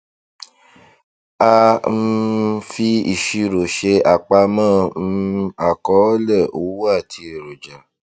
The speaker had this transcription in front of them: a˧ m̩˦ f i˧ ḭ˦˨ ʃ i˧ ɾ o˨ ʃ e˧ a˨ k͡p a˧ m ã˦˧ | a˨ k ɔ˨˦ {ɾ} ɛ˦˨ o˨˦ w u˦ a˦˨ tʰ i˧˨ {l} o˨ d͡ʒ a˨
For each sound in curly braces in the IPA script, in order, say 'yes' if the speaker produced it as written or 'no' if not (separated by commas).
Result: no, no